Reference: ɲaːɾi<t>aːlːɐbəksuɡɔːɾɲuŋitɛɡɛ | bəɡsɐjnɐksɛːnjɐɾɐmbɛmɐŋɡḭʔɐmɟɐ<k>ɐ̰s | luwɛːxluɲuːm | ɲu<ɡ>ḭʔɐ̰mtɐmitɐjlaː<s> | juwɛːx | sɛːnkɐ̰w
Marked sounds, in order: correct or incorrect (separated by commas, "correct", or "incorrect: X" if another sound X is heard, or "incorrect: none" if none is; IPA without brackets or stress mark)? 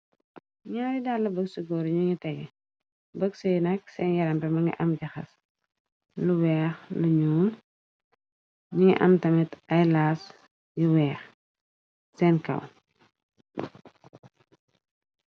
incorrect: d, incorrect: x, incorrect: ŋ, correct